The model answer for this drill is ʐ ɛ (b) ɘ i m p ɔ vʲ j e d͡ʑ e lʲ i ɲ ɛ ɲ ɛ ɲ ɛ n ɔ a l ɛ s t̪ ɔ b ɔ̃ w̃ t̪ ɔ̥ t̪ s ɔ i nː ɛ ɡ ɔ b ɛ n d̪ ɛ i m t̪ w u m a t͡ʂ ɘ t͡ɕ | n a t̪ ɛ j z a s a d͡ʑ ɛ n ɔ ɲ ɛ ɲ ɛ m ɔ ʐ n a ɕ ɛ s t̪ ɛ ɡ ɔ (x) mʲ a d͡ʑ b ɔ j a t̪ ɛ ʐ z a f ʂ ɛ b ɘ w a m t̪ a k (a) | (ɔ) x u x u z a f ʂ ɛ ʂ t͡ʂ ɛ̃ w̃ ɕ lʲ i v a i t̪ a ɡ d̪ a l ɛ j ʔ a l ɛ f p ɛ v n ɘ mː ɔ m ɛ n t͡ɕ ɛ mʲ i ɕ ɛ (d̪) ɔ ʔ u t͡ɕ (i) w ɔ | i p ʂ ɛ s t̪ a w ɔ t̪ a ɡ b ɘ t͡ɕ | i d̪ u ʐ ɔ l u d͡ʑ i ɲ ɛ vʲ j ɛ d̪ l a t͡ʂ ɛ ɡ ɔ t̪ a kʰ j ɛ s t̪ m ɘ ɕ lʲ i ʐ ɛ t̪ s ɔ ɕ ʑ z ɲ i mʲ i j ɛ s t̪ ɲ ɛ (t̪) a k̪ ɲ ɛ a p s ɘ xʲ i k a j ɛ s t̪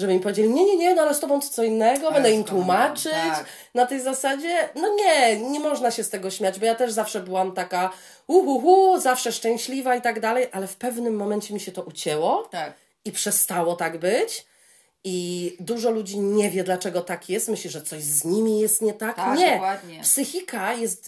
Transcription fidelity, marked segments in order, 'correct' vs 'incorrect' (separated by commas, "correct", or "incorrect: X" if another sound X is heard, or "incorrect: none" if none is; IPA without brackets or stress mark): correct, incorrect: ɕ, correct, incorrect: u, incorrect: t̪, incorrect: ɛ, correct